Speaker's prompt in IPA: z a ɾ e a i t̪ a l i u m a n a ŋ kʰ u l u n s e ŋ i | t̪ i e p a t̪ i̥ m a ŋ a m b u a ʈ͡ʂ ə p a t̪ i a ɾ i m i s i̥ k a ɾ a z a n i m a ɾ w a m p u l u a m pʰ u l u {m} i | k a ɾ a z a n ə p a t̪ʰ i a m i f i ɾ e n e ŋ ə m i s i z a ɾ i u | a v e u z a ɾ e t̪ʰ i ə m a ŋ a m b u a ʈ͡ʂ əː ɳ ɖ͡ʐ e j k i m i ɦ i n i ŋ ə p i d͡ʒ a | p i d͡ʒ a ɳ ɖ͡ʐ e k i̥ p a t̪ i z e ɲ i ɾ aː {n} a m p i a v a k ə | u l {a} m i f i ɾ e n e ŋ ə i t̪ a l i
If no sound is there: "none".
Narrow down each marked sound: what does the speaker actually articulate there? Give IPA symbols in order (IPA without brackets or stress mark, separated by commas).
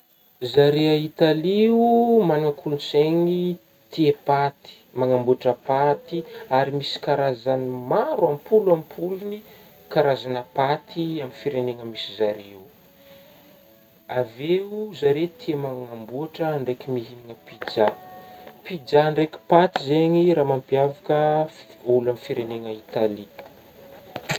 n, m, a